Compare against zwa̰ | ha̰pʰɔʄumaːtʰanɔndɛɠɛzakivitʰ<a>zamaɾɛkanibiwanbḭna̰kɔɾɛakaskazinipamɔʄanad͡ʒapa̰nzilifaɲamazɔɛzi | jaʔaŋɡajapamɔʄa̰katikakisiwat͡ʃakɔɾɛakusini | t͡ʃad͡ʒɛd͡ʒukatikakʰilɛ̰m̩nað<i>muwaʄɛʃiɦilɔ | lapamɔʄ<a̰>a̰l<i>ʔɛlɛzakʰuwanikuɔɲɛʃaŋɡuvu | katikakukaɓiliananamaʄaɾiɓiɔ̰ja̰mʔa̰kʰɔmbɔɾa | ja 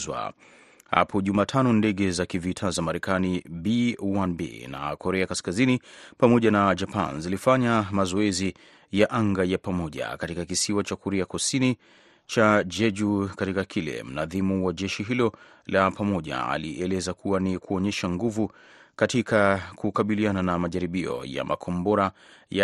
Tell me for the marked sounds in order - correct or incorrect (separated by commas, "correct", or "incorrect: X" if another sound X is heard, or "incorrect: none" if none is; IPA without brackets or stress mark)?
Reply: correct, correct, correct, correct